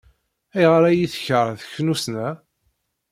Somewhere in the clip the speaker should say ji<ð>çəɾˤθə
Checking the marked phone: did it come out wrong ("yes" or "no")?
yes